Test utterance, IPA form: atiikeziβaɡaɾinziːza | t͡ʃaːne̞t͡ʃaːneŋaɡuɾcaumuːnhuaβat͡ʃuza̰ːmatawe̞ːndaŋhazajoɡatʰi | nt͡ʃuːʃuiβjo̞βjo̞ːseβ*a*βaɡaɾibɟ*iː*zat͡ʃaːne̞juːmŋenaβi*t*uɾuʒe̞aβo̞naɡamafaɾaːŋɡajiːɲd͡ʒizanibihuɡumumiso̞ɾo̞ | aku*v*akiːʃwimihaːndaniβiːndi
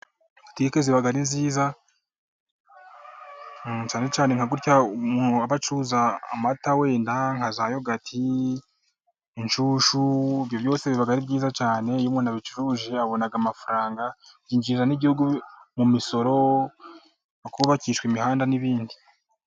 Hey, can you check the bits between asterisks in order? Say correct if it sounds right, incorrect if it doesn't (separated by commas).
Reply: incorrect, correct, incorrect, incorrect